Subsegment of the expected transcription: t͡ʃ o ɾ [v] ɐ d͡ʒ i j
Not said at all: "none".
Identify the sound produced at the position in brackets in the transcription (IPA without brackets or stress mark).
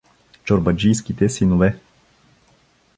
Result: b